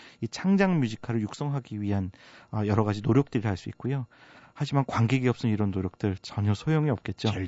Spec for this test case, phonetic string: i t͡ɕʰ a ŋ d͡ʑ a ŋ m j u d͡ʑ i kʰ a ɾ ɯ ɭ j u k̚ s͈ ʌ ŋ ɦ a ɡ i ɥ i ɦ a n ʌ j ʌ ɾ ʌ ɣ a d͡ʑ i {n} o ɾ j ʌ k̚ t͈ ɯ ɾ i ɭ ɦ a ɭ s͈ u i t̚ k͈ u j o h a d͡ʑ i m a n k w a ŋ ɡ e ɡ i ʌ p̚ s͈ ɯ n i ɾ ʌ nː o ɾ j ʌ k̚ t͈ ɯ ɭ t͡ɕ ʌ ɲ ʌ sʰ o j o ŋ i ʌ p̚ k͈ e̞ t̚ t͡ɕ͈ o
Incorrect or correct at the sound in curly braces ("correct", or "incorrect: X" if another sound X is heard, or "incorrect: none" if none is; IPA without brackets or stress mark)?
correct